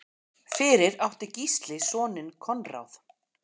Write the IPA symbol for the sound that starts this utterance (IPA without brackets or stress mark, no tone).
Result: f